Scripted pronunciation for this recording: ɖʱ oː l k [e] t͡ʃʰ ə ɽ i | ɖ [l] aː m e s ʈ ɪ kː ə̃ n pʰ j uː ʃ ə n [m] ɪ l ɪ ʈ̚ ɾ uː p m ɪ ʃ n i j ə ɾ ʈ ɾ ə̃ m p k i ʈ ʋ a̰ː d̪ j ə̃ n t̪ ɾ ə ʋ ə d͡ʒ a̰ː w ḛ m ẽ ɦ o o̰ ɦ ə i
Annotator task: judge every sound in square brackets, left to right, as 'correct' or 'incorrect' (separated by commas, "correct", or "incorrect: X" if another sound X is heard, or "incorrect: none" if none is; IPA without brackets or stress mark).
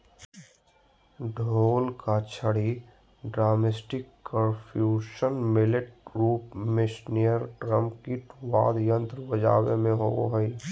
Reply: incorrect: a, incorrect: ɾ, correct